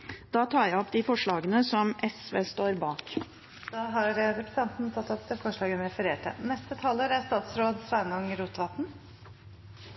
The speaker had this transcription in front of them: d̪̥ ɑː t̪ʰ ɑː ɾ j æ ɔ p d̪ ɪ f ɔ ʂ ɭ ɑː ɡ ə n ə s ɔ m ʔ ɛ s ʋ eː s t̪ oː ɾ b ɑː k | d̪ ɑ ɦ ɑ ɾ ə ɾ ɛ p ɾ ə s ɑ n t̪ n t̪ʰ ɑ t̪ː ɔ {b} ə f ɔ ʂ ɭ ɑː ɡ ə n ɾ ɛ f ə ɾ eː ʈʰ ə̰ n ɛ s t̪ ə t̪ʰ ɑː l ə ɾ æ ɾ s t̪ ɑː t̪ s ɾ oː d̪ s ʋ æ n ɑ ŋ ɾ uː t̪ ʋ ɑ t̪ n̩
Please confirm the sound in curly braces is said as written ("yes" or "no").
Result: no